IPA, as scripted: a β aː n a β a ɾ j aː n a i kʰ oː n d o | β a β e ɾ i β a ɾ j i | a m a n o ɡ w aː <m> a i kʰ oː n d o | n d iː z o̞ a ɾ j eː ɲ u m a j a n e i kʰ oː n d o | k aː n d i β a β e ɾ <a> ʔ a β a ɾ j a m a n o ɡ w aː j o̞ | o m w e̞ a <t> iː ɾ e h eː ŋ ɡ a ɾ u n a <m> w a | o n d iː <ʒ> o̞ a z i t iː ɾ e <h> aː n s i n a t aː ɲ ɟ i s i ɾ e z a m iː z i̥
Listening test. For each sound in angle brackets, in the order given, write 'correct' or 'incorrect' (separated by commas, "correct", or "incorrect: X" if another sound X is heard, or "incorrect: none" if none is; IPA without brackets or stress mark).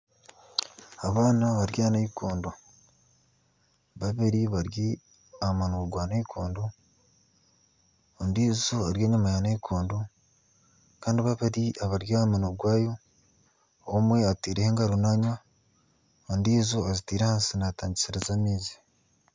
incorrect: n, incorrect: i, correct, incorrect: ɲ, incorrect: z, correct